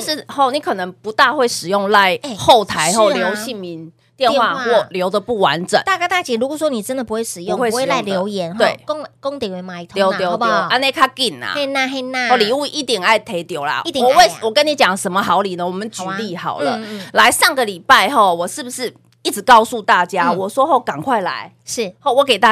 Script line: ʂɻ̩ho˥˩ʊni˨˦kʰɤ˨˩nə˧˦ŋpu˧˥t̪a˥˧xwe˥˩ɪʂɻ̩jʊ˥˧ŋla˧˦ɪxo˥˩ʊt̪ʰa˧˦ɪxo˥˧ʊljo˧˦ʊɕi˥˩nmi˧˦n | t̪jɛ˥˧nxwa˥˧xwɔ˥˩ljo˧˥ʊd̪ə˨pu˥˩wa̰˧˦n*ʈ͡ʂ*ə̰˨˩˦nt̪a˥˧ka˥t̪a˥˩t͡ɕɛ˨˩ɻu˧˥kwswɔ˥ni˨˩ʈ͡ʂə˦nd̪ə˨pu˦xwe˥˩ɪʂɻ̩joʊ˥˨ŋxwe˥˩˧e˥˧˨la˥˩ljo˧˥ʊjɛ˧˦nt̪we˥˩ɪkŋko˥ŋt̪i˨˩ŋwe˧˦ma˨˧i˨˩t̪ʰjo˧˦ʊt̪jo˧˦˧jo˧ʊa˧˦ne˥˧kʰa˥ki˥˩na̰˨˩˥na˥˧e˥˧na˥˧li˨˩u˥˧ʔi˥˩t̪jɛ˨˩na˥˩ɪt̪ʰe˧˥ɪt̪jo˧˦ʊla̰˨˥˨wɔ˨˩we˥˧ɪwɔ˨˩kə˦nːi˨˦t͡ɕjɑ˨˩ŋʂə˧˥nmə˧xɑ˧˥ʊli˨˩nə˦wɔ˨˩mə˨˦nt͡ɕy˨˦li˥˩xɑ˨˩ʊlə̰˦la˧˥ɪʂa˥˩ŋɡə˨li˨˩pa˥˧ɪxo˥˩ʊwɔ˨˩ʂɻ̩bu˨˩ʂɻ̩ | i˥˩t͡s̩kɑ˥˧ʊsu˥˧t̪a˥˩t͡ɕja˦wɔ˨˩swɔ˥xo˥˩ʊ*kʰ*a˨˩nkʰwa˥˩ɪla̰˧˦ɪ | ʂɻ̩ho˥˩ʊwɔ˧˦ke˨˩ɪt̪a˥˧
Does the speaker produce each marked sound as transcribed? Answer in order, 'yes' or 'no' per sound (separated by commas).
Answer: yes, no